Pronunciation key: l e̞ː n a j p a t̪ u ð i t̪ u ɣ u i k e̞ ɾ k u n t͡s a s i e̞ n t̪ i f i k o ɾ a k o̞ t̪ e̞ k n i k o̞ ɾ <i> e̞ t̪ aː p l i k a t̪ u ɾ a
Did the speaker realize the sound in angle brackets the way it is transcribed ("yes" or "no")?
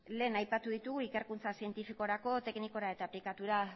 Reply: no